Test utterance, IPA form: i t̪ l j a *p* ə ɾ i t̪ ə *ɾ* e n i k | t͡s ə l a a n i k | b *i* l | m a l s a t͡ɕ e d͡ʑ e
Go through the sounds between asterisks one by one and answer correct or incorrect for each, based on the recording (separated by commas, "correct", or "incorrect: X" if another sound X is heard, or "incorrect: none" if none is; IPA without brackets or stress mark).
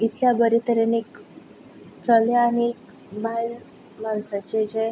incorrect: b, correct, incorrect: a